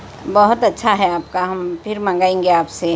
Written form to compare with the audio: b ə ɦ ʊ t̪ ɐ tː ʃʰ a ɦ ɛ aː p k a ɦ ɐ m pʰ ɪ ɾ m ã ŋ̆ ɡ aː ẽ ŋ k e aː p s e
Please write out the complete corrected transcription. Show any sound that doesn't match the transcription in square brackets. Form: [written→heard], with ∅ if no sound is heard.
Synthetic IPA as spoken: b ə ɦ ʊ t̪ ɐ tː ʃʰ a ɦ ɛ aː p k a ɦ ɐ m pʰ ɪ ɾ m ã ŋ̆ ɡ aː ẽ ŋ [k→ɡ] e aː p s e